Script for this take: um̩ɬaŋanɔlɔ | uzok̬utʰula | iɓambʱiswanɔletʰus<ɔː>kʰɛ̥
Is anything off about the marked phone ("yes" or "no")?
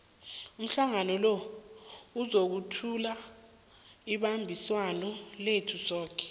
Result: no